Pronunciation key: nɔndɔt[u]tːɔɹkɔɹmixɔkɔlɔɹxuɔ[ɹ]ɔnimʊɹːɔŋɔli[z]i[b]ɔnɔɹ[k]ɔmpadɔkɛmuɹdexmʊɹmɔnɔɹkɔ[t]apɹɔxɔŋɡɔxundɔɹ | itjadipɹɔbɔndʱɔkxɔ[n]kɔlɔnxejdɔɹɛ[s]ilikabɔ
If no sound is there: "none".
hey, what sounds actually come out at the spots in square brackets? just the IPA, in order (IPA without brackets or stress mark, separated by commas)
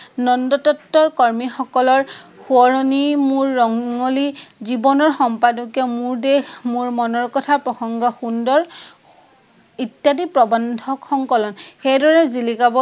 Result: ɔ, ɹ, z, b, x, tʰ, ŋ, z